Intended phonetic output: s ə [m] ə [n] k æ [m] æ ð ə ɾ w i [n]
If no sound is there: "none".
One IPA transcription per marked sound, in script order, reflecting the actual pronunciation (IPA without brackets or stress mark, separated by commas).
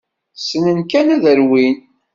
n, n, n, n